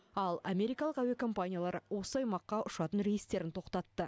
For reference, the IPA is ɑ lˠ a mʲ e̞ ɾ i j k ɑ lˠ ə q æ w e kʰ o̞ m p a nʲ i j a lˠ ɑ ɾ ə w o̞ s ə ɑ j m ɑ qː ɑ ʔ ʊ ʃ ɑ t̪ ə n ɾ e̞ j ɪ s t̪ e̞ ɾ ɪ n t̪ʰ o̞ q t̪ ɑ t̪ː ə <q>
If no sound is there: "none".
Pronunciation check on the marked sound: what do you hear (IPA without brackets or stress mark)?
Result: none